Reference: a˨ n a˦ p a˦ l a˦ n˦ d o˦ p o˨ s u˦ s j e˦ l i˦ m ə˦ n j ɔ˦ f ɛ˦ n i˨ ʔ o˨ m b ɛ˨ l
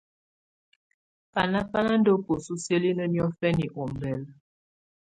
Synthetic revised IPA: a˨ n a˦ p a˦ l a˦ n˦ d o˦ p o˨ s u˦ s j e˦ l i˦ n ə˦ n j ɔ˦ f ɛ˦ n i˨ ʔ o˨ m b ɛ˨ l